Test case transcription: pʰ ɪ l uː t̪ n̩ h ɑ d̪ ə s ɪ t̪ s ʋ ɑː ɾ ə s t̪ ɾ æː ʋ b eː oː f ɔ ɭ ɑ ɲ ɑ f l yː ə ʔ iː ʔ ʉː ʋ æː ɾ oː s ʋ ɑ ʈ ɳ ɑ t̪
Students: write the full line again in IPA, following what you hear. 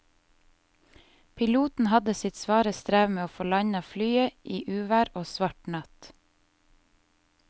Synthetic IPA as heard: pʰ ɪ l uː t̪ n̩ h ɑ d̪ ə s ɪ t̪ s ʋ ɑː ɾ ə s t̪ ɾ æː ʋ m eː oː f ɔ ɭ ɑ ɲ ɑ f l yː ə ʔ iː ʔ ʉː ʋ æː ɾ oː s ʋ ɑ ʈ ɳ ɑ t̪

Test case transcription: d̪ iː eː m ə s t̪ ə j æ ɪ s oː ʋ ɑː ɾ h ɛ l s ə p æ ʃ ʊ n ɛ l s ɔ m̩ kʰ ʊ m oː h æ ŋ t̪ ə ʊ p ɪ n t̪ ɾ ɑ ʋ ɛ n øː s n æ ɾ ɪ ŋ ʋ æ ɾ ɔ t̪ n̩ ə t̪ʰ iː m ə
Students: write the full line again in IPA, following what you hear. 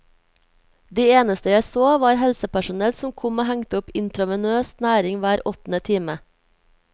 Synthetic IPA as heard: d̪ iː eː n ə s t̪ ə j æ ɪ s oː ʋ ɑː ɾ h ɛ l s ə p æ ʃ ʊ n ɛ l s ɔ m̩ kʰ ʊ m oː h æ ŋ t̪ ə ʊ p ɪ n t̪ ɾ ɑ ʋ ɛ n øː s n æː ɾ ɪ ŋ ʋ æː ɾ ɔ t̪ n̩ ə t̪ʰ iː m ə

